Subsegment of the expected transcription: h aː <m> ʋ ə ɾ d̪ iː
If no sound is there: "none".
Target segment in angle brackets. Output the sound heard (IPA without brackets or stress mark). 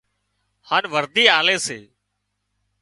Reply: n